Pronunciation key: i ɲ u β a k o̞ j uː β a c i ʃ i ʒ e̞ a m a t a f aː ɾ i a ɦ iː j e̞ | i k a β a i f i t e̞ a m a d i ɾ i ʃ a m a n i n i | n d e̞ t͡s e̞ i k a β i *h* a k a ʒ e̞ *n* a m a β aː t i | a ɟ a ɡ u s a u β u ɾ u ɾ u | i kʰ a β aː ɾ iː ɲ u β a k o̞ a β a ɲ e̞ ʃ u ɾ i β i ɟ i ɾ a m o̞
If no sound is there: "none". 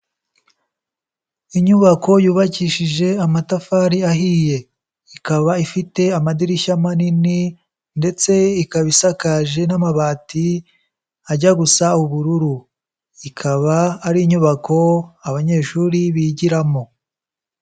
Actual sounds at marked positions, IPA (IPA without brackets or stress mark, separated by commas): s, n